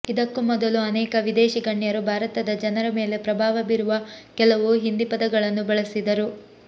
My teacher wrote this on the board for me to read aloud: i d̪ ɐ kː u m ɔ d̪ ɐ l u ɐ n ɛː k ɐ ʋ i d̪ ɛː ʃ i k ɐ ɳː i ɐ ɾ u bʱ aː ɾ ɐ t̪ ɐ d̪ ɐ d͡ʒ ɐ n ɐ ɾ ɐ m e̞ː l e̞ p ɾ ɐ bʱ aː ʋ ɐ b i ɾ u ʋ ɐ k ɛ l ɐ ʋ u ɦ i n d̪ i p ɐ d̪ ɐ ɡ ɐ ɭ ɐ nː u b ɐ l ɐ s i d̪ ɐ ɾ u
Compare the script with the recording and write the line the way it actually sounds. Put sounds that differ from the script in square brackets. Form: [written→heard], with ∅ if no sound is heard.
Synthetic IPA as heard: i d̪ ɐ kː u m ɔ d̪ ɐ l u ɐ n ɛː k ɐ ʋ i d̪ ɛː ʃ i [k→ɡ] ɐ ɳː [i→j] ɐ ɾ u bʱ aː ɾ ɐ t̪ ɐ d̪ ɐ d͡ʒ ɐ n ɐ ɾ ɐ m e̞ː l e̞ p ɾ ɐ bʱ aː ʋ ɐ b i ɾ u ʋ ɐ k ɛ l ɐ ʋ u ɦ i n d̪ i p ɐ d̪ ɐ ɡ ɐ ɭ ɐ nː u b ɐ [l→ɭ] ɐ s i d̪ ɐ ɾ u